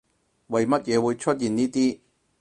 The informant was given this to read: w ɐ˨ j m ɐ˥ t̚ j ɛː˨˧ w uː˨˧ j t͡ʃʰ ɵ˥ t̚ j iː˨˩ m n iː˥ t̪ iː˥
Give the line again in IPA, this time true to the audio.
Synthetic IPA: w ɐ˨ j m ɐ˥ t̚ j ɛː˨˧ w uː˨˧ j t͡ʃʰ ɵ˥ t̚ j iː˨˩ n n iː˥ t̪ iː˥